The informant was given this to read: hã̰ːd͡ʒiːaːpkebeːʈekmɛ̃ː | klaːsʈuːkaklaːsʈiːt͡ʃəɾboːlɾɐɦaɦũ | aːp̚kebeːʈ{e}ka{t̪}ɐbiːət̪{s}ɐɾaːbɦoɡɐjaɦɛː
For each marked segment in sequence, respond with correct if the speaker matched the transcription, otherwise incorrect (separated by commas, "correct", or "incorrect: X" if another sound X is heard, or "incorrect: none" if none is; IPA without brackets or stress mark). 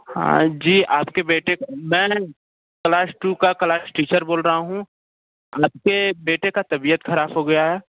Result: correct, correct, incorrect: x